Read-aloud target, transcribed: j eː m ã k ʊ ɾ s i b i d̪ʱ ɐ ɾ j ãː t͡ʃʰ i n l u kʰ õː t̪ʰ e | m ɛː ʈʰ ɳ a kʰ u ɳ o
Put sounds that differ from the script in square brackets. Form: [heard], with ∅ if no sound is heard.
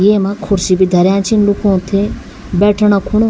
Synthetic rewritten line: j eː m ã [kʰ] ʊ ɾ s i b i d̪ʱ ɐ ɾ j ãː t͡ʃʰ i n l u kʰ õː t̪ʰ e | [b] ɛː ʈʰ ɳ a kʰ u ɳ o